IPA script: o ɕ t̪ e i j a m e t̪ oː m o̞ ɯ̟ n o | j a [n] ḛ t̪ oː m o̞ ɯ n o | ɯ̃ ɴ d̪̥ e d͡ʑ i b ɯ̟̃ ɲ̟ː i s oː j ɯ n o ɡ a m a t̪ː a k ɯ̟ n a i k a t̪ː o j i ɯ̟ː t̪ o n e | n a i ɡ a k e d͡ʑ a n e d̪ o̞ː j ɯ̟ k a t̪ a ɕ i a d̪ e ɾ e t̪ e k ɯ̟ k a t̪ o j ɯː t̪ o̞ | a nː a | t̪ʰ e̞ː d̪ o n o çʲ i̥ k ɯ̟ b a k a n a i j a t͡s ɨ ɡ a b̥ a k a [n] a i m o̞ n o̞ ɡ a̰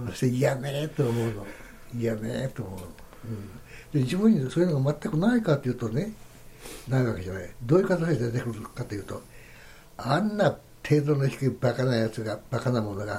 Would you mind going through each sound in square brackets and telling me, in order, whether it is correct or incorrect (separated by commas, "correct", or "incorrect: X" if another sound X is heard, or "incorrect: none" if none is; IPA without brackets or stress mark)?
incorrect: m, correct